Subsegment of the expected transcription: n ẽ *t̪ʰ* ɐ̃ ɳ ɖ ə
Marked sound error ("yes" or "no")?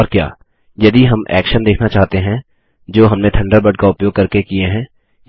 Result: no